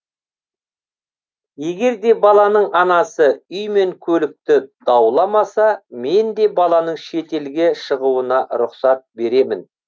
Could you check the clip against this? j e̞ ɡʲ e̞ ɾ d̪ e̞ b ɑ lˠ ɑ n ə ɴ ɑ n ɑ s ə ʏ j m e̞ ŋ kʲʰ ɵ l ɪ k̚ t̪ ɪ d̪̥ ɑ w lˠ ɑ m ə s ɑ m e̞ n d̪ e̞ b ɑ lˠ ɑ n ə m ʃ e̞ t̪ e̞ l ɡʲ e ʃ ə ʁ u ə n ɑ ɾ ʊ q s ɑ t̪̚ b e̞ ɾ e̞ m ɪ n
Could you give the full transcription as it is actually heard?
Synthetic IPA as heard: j e̞ ɡʲ e̞ ɾ d̪ e̞ b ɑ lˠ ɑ n ə ɴ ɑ n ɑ s ə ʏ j m e̞ ŋ kʲʰ ɵ l ɪ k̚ t̪ ɪ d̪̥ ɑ w lˠ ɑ m ɑ s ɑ m e̞ n d̪ e̞ b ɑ lˠ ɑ n ə ɴ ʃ e̞ t̪ e̞ l ɡʲ e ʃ ə ʁ u ə n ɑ ɾ ʊ q s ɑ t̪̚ b e̞ ɾ e̞ m ɪ n

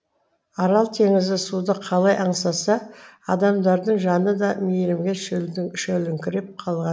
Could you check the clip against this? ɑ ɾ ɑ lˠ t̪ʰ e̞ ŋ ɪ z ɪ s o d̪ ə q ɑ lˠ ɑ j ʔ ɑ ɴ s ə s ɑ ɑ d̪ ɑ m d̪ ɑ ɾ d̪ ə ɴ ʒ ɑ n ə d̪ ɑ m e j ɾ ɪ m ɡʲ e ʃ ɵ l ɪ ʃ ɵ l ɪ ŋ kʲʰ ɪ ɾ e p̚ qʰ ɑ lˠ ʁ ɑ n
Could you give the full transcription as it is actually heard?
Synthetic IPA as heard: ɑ ɾ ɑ lˠ t̪ʰ e̞ ŋ ɪ z ɪ s u d̪ ə qʰ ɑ lˠ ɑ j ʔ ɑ ɴ s ɑ s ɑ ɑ d̪ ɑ m d̪ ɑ ɾ d̪ ə ɴ ʒ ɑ n ə d̪ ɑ m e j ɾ ɪ m ɡʲ e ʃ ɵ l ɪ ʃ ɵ l ɪ ŋ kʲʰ ɪ ɾ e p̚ qʰ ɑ lˠ ʁ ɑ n

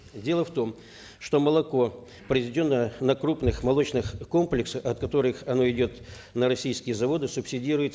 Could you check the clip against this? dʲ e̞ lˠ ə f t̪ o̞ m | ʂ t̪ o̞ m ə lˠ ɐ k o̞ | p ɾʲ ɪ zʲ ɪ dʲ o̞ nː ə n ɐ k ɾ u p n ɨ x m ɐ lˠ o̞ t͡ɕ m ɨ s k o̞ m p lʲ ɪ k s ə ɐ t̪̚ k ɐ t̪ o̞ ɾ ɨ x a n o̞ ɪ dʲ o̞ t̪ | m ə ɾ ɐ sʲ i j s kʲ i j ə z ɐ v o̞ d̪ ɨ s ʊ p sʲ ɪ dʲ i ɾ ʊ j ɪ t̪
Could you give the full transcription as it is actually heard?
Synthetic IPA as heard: dʲ e̞ lˠ ə f t̪ o̞ m | ʂ t̪ o̞ m ə lˠ ɐ k o̞ | p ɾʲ ɪ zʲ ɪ dʲ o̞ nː ə n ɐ k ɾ u p n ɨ x m ɐ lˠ o̞ t͡ɕ n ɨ x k o̞ m p lʲ ɪ k s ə ɐ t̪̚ k ɐ t̪ o̞ ɾ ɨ x ɐ n o̞ ɪ dʲ o̞ t̪ | n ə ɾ ɐ sʲ i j s kʲ ɪ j ə z ɐ v o̞ d̪ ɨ s ʊ p sʲ ɪ dʲ i ɾ ʊ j ɪ t̪

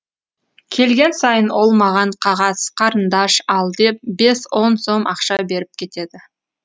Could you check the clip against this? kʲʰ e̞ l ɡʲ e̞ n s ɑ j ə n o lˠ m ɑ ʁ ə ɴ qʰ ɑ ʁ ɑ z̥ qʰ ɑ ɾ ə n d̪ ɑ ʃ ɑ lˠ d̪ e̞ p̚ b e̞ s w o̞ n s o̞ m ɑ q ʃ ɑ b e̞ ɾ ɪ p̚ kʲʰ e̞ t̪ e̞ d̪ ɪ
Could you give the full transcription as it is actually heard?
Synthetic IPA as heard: kʲʰ e̞ l ɡʲ e̞ n s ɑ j ə n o lˠ m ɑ ʁ ɑ ɴ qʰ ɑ ʁ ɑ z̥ qʰ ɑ ɾ ə n d̪ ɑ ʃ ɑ lˠ d̪ e̞ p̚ b e̞ s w o̞ n s o̞ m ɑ q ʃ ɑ b e̞ ɾ ɪ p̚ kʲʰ e̞ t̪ e̞ d̪ ɪ

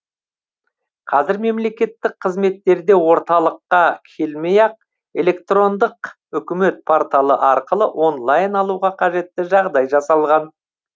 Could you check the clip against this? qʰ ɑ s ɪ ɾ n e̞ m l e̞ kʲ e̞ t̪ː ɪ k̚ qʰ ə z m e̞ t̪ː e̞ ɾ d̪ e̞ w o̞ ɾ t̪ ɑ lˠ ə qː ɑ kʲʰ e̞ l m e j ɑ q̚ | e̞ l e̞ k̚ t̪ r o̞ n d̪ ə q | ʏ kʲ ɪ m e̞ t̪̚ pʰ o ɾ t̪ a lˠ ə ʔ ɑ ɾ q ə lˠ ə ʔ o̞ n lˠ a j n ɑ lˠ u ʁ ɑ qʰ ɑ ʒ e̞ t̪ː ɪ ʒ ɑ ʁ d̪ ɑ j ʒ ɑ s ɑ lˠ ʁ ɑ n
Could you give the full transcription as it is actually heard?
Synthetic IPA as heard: qʰ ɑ z ɪ ɾ m e̞ m l e̞ kʲ e̞ t̪ː ɪ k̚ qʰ ə z m e̞ t̪ː e̞ ɾ d̪ e̞ w o̞ ɾ t̪ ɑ lˠ ə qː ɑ kʲʰ e̞ l m e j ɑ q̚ | e̞ l e̞ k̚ t̪ r o̞ n d̪ ə q | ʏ kʲ ɪ m e̞ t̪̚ pʰ o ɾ t̪ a lˠ ə ʔ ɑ ɾ q ə lˠ ə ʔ o̞ n lˠ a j n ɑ lˠ u ʁ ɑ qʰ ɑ ʒ e̞ t̪ː ɪ ʒ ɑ ʁ d̪ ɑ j ʒ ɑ s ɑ lˠ ʁ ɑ n

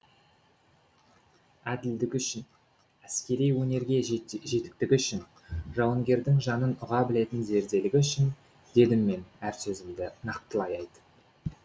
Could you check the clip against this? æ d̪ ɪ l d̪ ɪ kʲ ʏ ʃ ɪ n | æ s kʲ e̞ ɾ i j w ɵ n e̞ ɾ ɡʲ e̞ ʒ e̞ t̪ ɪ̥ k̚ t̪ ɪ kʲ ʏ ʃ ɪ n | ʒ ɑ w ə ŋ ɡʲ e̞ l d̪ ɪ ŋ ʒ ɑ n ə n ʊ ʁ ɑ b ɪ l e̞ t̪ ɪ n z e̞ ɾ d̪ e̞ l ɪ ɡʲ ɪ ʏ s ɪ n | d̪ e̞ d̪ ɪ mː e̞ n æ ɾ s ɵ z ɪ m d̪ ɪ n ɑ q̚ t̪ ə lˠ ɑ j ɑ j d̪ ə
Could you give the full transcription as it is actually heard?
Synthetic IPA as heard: æ d̪ ɪ l d̪ ɪ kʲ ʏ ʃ ɪ n | æ s kʲ e̞ ɾ i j w ɵ n e̞ ɾ ɡʲ e̞ ʒ e̞ t̪ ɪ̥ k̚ t̪ ɪ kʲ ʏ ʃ ɪ n | ʒ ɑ w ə ŋ ɡʲ e̞ ɾ d̪ ɪ ŋ ʒ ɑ n ə n ʊ ʁ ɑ b ɪ l e̞ t̪ ɪ n z e̞ ɾ d̪ e̞ l ɪ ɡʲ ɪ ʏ ʃ ɪ n | d̪ e̞ d̪ ɪ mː e̞ n æ ɾ s ɵ z ɪ m d̪ ɪ n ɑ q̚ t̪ ə lˠ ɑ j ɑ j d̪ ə

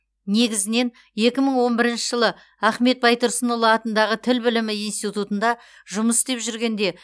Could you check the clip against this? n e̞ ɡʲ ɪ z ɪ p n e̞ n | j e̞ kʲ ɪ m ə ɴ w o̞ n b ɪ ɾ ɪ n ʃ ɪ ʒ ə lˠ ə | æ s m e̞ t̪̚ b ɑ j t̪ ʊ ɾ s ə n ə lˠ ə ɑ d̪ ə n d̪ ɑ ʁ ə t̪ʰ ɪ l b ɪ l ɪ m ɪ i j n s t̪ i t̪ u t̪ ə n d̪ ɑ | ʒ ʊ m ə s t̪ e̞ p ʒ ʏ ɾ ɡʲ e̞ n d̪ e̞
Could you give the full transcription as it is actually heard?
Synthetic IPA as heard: n e̞ ɡʲ ɪ z ɪ n e̞ n | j e̞ kʲ ɪ m ə ɴ w o̞ n b ɪ ɾ ɪ n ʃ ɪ ʒ ə lˠ ə | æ χ m e̞ t̪̚ b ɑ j t̪ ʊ ɾ s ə n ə lˠ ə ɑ t̪ ə n d̪ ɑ ʁ ə t̪ʰ ɪ l b ɪ l ɪ m ɪ i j n s t̪ i t̪ u t̪ ə n d̪ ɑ | ʒ ʊ m ə s t̪ e̞ p ʒ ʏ ɾ ɡʲ e̞ n d̪ e̞

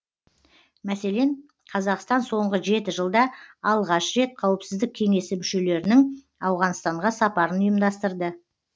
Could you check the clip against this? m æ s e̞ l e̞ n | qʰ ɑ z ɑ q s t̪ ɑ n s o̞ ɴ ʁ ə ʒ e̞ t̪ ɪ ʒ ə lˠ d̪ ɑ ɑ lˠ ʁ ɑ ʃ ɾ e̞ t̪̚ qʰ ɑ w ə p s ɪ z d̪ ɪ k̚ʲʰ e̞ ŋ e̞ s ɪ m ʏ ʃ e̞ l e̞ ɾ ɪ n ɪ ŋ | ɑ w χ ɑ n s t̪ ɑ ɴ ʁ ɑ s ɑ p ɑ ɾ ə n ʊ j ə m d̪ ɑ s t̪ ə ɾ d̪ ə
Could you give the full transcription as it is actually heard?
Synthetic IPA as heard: m æ s e̞ l e̞ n | qʰ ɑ z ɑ q s t̪ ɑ n s o̞ ɴ ʁ ə ʒ e̞ t̪ ɪ ʒ ə lˠ d̪ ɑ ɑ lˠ ʁ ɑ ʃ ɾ e̞ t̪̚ qʰ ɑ w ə p s ɪ z d̪ ɪ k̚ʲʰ e̞ ŋ e̞ s ɪ m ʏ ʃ e̞ l e̞ ɾ ɪ n ɪ ŋ | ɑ w ʁ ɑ n s t̪ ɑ ɴ ʁ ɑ s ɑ p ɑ ɾ ə n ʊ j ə m d̪ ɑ s t̪ ə ɾ d̪ ə

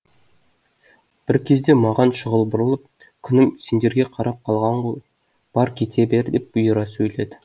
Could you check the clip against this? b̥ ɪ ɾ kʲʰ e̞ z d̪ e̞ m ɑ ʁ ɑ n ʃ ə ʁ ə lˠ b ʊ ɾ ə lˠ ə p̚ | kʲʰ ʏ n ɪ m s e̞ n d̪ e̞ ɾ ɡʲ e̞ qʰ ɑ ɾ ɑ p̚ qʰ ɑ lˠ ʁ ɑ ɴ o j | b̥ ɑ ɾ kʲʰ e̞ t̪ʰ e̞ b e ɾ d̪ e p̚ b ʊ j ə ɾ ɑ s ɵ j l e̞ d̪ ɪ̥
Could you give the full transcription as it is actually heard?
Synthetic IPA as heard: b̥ ɪ ɾ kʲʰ e̞ z d̪ e̞ m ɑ ʁ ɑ n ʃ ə ʁ ə lˠ b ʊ ɾ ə lˠ ə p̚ | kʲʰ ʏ n ɪ m s e̞ n d̪ e̞ ɾ ɡʲ e̞ qʰ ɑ ɾ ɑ p̚ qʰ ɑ lˠ ʁ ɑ ɴ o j | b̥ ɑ ɾ kʲʰ e̞ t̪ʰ e̞ b e ɾ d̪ e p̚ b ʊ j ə ɾ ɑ s ɵ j l e̞ d̪ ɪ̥

